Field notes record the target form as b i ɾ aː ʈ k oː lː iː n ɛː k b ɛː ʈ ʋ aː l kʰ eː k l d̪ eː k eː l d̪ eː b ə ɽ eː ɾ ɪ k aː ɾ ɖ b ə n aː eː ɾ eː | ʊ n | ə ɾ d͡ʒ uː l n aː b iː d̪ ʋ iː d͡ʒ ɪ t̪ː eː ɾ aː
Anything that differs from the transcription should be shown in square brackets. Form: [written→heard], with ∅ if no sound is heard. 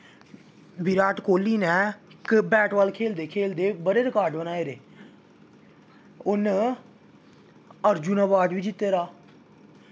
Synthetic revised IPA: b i ɾ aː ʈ k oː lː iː n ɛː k b ɛː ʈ ʋ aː l kʰ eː [k→∅] l d̪ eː [k→kʰ] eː l d̪ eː b ə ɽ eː ɾ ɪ k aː ɾ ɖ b ə n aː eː ɾ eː | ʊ n | ə ɾ d͡ʒ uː [l→∅] n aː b [iː→aː] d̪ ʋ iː d͡ʒ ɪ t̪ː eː ɾ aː